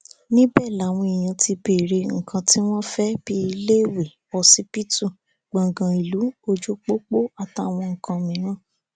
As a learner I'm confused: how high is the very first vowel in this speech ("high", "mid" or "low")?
high